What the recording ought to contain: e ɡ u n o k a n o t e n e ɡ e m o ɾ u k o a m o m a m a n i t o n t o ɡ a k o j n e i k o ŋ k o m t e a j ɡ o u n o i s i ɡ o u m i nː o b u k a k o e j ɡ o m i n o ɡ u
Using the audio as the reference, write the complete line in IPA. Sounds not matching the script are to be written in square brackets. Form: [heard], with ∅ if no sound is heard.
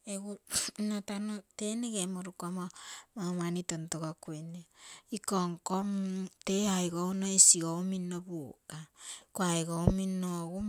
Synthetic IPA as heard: e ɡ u n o [t] a n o t e n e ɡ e m o ɾ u k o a m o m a m a n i t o n t o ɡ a k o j n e i k o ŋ k o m t e a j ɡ o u n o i s i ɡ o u m i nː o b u k a k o [a] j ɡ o m i n o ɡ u